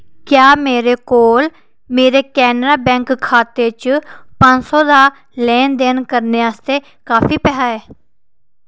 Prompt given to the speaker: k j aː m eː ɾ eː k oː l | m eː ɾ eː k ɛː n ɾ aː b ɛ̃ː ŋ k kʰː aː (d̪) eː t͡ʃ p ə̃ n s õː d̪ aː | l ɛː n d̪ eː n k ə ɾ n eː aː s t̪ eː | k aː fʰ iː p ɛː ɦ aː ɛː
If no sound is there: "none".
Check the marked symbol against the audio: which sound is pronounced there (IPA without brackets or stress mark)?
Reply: t̪